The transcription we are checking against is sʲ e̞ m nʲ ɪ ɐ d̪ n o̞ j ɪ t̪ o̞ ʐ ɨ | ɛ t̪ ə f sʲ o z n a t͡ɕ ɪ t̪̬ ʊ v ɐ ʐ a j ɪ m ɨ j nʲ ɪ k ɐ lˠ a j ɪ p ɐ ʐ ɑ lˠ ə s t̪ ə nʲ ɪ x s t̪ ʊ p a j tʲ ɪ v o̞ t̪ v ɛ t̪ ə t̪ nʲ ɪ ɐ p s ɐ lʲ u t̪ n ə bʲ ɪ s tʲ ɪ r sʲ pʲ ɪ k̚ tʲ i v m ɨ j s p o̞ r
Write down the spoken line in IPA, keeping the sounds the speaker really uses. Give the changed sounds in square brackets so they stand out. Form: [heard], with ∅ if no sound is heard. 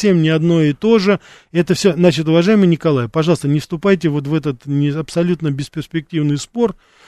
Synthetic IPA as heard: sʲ e̞ m nʲ ɪ ɐ d̪ n o̞ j ɪ t̪ o̞ ʐ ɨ | ɛ t̪ ə f sʲ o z n a t͡ɕ ɪ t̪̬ ʊ v ɐ ʐ a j ɪ m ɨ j nʲ ɪ k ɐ lˠ a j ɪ p ɐ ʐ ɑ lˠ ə s t̪ ə nʲ ɪ [f] s t̪ ʊ p a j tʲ ɪ v o̞ t̪ v ɛ t̪ ə t̪ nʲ ɪ ɐ p s ɐ lʲ u t̪ n ə bʲ ɪ s [pʲ] ɪ r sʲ pʲ ɪ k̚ tʲ i v [n] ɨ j s p o̞ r